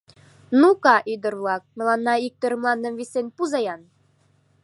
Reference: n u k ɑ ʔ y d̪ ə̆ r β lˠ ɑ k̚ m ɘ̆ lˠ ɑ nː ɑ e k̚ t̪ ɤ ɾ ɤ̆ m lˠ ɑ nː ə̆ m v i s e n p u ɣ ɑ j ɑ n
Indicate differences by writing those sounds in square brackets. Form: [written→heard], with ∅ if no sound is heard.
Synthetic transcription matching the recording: n u k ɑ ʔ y d̪ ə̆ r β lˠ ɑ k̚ m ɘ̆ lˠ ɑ nː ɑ [e→i] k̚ t̪ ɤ ɾ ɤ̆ m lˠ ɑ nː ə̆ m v i s e n p u [ɣ→z] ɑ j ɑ n